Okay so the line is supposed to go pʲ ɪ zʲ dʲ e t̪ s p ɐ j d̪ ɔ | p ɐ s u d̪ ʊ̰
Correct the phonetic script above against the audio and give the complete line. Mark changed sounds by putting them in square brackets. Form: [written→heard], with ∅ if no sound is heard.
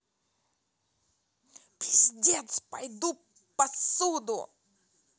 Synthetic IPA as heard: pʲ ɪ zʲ dʲ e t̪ s p ɐ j d̪ [ɔ→u] | p ɐ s u d̪ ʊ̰